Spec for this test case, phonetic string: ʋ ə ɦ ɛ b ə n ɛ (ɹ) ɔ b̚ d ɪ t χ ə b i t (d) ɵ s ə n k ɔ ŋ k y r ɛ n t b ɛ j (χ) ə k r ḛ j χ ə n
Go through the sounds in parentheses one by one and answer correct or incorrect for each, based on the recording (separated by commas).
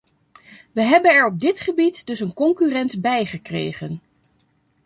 correct, correct, correct